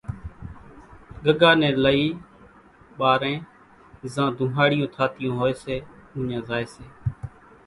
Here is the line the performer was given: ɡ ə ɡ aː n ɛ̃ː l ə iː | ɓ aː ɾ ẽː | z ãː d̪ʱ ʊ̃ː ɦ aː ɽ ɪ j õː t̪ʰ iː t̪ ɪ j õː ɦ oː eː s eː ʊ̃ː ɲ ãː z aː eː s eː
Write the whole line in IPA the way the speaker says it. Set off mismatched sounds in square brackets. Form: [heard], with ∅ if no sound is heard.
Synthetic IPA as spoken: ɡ ə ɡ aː n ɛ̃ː l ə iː | ɓ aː ɾ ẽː | z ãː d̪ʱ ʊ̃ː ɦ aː ɽ ɪ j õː t̪ʰ [aː] t̪ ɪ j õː ɦ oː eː s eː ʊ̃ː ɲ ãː z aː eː s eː